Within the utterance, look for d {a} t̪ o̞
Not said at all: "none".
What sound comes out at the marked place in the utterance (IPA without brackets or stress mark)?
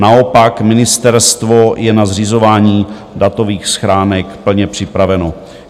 a